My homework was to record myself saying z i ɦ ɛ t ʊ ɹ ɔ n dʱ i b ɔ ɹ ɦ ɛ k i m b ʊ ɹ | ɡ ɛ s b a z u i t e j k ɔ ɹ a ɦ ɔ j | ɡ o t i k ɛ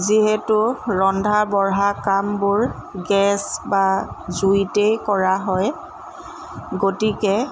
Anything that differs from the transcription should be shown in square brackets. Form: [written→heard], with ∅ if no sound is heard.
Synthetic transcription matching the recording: z i ɦ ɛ t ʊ ɹ ɔ n dʱ [i→a] b ɔ ɹ ɦ [ɛ→a] k [i→a] m b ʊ ɹ | ɡ ɛ s b a z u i t e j k ɔ ɹ a ɦ ɔ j | ɡ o t i k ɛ